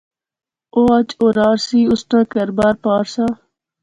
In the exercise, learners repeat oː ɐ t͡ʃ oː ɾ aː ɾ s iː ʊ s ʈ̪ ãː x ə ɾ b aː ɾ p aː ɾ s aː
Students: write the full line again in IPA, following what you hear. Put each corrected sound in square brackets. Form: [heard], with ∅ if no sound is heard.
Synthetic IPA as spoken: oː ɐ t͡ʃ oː ɾ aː ɾ s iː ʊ s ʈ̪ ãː [k] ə ɾ b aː ɾ p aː ɾ s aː